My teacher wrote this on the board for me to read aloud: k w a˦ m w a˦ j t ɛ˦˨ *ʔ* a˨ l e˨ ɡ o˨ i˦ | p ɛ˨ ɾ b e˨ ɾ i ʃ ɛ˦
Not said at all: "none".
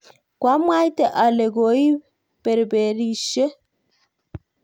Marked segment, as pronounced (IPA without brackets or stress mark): ʔ